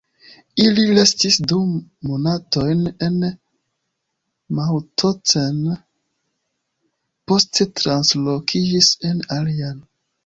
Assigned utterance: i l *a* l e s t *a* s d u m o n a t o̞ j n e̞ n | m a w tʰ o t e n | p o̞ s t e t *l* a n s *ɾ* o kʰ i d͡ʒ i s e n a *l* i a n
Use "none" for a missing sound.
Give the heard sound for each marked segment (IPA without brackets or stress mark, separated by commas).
i, i, ɾ, l, l